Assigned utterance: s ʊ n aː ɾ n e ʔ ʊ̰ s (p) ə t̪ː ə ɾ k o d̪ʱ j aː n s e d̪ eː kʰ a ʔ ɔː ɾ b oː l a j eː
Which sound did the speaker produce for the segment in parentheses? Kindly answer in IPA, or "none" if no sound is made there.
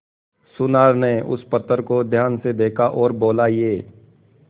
p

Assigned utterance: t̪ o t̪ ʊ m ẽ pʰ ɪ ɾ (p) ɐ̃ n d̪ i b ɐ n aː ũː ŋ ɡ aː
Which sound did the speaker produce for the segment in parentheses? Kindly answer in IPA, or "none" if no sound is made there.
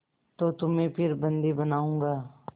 b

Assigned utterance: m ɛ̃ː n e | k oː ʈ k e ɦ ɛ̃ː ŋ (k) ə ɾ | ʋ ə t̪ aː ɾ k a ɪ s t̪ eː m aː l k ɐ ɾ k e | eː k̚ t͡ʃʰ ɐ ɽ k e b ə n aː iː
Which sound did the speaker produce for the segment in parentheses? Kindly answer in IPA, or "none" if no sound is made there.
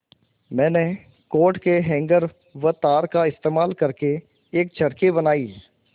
ɡ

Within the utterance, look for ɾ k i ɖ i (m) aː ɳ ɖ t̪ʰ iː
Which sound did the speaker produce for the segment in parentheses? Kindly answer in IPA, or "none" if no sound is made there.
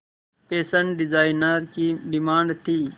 m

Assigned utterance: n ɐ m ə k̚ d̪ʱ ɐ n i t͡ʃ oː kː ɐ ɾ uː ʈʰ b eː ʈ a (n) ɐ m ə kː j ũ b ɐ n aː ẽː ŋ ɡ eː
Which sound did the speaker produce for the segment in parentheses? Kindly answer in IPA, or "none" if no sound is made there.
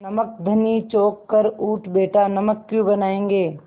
n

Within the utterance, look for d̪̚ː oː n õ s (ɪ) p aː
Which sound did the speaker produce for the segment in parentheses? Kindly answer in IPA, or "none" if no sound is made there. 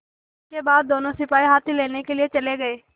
ɪ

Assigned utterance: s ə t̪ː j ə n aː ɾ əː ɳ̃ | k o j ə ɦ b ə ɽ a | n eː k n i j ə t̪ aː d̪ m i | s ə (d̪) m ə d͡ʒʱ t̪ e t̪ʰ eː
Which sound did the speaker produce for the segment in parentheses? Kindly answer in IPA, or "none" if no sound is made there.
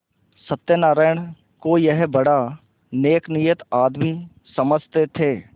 none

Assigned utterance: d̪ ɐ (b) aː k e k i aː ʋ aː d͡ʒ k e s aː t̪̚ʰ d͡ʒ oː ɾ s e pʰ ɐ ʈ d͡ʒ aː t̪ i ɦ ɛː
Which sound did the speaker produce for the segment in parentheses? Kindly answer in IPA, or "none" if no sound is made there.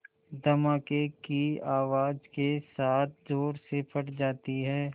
m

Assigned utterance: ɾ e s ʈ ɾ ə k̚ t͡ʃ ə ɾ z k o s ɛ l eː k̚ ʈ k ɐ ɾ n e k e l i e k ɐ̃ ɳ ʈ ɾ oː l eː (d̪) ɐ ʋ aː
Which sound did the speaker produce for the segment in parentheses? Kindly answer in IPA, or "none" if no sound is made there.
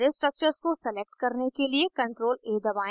d̪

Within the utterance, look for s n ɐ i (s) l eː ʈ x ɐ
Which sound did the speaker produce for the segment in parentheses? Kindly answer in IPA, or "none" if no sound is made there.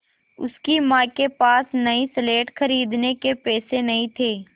s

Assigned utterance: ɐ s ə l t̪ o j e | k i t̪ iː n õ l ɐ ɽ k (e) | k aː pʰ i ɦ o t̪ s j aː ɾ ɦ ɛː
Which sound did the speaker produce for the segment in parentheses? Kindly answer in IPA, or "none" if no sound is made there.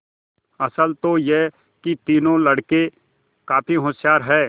e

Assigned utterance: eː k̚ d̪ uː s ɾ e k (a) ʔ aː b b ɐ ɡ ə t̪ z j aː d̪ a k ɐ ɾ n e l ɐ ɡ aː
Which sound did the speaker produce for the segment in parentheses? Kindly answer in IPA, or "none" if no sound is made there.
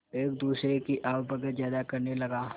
i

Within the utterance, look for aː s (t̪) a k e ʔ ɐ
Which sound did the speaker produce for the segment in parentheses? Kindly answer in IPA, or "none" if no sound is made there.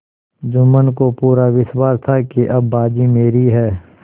t̪ʰ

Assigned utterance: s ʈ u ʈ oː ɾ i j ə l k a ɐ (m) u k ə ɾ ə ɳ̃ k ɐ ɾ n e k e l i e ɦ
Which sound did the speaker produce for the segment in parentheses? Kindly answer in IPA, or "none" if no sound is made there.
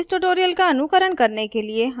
n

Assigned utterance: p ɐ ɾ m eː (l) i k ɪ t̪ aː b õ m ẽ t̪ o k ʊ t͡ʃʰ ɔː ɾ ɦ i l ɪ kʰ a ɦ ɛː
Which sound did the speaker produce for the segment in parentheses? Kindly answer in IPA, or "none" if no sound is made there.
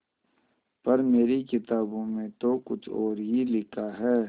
ɾ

